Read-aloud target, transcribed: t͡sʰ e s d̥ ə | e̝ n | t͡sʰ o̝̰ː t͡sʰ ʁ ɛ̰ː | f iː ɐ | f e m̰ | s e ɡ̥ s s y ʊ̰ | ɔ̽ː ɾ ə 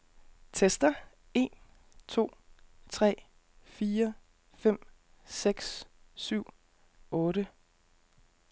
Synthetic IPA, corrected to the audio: t͡sʰ e s d̥ ɐ | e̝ n | t͡sʰ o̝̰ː t͡sʰ ʁ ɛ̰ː | f iː ɐ | f e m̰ | s e ɡ̥ s s y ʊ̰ | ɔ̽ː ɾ ə